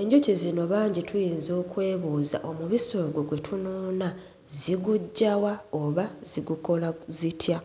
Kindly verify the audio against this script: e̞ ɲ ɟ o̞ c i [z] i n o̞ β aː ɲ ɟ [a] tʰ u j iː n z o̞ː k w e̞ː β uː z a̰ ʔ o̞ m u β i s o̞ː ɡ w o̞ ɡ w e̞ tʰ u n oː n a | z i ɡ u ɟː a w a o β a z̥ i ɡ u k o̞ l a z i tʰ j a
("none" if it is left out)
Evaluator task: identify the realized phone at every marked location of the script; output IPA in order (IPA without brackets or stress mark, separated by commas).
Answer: z, i